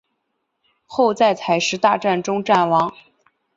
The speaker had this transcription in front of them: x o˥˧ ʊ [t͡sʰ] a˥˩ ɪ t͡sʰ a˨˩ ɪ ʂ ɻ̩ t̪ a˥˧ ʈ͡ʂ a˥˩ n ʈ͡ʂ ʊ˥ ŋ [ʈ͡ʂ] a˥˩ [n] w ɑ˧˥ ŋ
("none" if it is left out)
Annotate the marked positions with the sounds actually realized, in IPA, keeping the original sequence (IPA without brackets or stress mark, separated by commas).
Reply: t͡s, ʈ͡ʂ, n